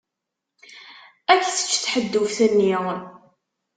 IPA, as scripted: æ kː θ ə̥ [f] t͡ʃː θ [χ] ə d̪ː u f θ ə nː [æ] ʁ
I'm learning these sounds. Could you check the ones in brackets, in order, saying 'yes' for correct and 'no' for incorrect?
no, no, no

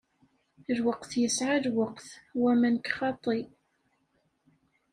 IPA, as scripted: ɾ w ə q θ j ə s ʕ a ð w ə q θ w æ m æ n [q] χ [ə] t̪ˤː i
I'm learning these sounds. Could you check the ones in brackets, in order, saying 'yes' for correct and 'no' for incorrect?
no, no

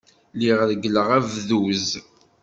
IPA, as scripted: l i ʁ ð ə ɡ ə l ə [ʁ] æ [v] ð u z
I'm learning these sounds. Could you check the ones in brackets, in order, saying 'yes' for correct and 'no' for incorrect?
yes, yes

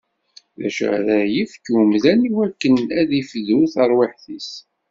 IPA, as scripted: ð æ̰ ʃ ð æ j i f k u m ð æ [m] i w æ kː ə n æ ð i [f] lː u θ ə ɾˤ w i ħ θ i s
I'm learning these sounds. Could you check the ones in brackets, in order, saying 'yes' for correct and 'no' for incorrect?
no, yes

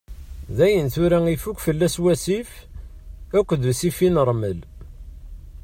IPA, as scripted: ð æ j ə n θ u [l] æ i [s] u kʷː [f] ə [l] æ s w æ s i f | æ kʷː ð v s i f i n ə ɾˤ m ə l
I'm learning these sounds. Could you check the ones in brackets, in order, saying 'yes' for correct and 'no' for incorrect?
no, no, yes, no

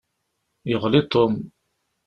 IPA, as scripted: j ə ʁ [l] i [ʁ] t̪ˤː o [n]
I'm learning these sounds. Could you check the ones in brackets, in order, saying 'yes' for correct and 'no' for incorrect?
yes, no, no

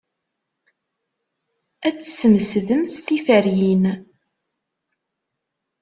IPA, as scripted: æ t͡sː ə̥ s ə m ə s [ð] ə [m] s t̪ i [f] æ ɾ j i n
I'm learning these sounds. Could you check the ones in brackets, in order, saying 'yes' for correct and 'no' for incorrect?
yes, yes, yes

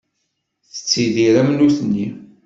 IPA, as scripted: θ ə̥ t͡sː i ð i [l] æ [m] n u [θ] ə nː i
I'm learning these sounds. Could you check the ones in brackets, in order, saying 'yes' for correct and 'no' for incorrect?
no, yes, yes

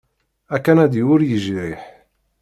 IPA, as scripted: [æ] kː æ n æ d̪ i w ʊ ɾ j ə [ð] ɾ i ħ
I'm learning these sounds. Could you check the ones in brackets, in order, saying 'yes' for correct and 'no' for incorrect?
yes, no

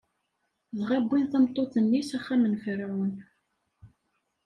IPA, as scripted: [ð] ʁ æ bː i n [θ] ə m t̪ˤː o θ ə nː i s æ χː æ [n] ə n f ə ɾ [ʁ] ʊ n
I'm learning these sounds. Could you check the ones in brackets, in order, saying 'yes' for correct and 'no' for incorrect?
yes, yes, no, no

